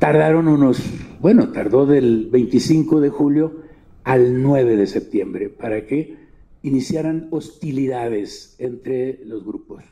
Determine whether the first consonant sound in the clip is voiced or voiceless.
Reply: voiceless